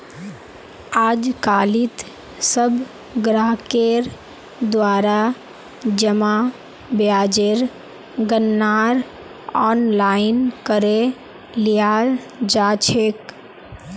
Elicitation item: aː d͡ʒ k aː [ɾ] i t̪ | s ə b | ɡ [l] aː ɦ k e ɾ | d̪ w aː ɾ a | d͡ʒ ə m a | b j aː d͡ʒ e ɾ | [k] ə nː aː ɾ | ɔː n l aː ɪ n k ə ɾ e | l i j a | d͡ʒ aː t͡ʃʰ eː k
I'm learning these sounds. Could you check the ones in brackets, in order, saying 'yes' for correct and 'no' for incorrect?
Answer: no, no, no

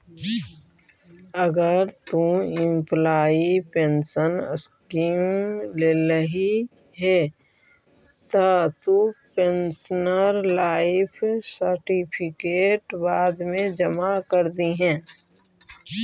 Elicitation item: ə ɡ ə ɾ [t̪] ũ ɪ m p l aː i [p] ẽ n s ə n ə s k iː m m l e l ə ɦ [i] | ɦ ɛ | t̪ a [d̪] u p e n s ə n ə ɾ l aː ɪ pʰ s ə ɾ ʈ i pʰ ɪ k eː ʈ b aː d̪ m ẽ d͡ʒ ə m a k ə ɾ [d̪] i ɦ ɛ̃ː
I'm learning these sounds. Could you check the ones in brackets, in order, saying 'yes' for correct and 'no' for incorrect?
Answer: yes, yes, yes, no, yes

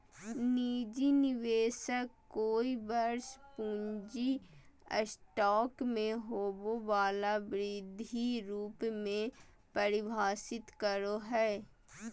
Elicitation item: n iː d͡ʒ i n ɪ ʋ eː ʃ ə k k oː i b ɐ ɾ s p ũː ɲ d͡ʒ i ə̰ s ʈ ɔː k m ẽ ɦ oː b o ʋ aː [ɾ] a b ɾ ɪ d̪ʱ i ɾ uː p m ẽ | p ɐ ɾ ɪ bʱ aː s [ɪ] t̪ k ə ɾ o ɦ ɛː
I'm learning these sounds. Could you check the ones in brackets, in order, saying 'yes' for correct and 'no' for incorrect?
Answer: no, yes

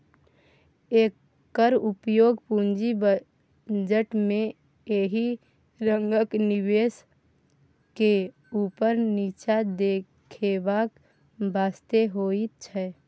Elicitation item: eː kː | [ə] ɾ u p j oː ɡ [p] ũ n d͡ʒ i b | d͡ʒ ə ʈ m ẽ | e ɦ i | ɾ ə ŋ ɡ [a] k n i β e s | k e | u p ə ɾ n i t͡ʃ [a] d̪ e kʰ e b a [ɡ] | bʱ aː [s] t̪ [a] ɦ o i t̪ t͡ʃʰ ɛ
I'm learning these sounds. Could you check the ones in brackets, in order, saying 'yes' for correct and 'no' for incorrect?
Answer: yes, yes, no, yes, no, yes, no

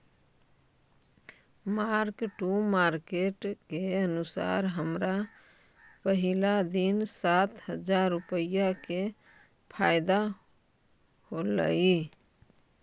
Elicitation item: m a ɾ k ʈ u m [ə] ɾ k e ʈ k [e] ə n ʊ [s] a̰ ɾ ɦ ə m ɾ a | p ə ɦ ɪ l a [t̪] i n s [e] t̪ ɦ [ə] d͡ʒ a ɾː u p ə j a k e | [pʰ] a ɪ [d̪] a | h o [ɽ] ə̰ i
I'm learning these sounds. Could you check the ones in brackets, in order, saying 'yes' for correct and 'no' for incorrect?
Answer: no, yes, yes, no, no, yes, yes, yes, no

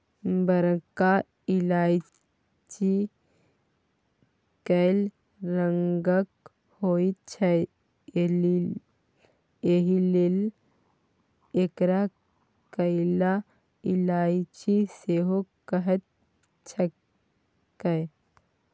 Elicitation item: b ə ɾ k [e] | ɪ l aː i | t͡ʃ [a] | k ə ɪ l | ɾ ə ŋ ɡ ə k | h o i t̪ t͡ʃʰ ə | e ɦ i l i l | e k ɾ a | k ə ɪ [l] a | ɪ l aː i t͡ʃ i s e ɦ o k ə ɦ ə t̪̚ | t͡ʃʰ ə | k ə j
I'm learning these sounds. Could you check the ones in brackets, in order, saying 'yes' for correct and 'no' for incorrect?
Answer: no, no, yes

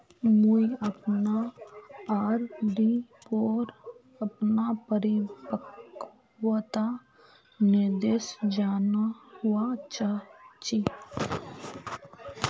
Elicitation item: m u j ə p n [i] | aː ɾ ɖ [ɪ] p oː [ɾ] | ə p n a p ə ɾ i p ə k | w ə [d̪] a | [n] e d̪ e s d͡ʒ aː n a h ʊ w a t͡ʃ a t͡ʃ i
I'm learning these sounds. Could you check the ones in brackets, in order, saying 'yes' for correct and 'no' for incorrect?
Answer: no, no, yes, no, yes

